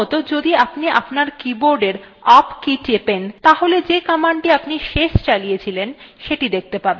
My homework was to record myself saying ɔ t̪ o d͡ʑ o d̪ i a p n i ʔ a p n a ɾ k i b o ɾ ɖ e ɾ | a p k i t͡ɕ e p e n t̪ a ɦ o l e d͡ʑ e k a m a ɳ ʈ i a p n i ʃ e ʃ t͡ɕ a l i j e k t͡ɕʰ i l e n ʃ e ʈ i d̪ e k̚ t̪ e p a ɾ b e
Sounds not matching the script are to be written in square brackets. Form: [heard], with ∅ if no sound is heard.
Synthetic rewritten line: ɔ t̪ o d͡ʑ o d̪ i a p n i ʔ a p n a ɾ k i b o ɾ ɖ e ɾ | a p k i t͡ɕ e p e n t̪ a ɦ o l e d͡ʑ e k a m a ɳ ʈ i a p n i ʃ e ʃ t͡ɕ a l i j e [∅] t͡ɕʰ i l e n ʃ e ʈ i d̪ e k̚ t̪ e p a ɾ b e